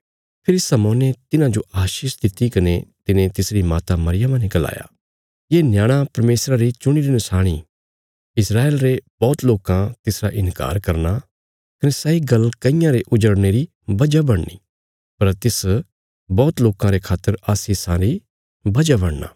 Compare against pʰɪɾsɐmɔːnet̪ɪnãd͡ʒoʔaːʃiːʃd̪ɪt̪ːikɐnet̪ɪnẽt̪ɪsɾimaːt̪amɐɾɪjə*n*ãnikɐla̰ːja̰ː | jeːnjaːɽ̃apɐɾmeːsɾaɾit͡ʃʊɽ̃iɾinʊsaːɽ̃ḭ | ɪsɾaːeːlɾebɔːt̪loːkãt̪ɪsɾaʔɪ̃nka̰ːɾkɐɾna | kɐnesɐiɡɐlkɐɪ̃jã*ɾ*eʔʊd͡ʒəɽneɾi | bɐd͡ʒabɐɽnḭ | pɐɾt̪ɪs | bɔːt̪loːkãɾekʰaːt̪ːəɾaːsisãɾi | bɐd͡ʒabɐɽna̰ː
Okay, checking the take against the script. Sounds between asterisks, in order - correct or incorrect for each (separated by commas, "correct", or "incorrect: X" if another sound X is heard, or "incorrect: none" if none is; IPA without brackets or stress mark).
incorrect: m, correct